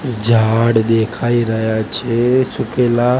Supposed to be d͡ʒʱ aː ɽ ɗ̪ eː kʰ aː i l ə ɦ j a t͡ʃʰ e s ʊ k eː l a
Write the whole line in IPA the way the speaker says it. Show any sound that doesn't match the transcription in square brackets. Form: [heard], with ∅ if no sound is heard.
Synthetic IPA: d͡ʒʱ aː ɽ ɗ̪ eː kʰ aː i [ɾ] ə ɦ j a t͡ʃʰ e s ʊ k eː l a